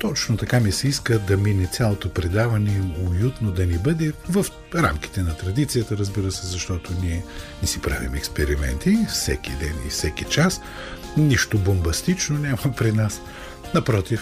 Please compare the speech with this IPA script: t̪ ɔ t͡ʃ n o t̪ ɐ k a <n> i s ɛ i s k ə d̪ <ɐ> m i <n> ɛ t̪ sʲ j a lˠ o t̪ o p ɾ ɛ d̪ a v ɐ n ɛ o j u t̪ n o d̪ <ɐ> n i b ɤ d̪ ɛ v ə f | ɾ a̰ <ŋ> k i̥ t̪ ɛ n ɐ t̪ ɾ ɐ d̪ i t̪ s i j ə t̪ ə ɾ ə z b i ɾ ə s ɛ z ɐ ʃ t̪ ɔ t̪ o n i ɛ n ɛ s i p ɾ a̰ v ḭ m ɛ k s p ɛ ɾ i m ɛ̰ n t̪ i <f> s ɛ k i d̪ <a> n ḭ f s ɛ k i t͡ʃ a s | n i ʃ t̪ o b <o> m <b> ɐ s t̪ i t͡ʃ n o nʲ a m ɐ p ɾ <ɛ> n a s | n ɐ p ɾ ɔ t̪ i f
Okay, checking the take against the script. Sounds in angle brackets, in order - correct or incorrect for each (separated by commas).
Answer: incorrect, correct, correct, correct, incorrect, correct, incorrect, correct, correct, incorrect